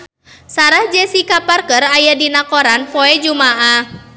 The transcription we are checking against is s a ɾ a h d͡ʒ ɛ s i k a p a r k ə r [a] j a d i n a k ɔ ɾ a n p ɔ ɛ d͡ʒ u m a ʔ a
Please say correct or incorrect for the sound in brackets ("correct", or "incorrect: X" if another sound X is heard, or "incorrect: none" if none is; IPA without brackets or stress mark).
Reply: correct